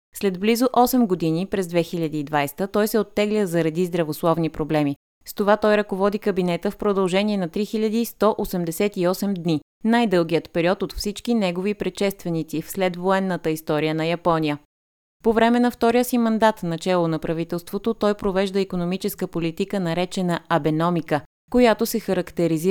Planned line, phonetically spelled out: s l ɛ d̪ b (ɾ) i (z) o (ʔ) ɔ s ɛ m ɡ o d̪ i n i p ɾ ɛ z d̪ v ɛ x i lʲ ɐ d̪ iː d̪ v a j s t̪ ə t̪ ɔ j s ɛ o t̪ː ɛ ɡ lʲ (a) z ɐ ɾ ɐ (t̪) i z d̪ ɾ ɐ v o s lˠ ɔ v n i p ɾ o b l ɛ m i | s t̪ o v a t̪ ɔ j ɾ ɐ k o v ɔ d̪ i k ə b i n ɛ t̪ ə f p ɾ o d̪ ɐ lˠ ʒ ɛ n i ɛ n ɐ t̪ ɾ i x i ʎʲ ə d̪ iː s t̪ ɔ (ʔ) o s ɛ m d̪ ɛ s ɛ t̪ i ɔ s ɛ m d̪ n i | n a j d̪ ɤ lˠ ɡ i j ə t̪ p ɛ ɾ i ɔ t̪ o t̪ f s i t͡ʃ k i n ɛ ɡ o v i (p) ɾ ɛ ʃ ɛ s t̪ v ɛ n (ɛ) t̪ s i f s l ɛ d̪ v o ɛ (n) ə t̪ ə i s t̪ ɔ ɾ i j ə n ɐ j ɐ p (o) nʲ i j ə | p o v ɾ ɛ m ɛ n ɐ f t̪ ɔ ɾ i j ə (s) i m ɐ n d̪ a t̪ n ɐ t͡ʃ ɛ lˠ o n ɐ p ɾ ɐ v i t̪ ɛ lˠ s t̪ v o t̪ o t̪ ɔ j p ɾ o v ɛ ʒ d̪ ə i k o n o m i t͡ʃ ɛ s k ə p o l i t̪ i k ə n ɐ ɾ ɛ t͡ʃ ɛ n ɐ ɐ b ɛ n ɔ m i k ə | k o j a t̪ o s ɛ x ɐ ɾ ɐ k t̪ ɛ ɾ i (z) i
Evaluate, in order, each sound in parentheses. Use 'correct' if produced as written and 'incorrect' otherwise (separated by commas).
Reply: incorrect, correct, correct, incorrect, incorrect, correct, correct, incorrect, incorrect, incorrect, correct, correct